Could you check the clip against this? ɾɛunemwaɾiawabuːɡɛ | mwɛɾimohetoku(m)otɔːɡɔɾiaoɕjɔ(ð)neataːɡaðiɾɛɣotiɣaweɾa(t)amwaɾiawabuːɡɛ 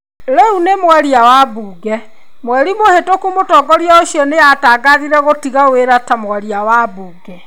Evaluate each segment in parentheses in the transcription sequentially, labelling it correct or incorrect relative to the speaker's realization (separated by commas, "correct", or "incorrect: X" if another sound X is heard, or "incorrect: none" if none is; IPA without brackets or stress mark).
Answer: correct, incorrect: none, correct